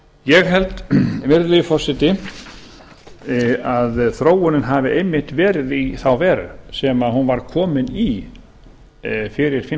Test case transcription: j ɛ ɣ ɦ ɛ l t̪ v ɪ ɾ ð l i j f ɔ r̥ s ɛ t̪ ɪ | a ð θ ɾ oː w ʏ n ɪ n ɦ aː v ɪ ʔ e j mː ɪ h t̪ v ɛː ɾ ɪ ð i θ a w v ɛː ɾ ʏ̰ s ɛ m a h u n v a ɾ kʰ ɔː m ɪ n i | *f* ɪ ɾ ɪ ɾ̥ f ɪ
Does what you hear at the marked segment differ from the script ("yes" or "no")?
no